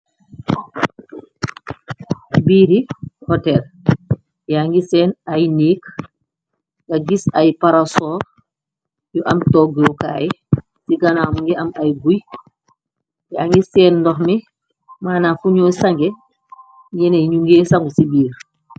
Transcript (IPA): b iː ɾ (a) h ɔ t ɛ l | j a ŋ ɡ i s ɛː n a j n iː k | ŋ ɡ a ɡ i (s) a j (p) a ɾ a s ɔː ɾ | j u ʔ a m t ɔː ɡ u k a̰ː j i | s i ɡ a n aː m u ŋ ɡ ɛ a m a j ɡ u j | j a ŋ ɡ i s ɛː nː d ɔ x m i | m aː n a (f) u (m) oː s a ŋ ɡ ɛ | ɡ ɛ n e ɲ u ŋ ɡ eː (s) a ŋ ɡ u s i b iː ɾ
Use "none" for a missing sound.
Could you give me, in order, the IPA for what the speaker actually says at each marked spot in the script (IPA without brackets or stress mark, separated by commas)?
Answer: i, s, p, f, ɲ, s